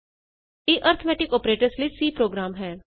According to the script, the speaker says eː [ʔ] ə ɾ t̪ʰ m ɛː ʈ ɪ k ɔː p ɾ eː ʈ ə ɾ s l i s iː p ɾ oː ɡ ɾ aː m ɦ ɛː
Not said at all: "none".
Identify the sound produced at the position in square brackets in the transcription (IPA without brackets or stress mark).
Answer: ʔ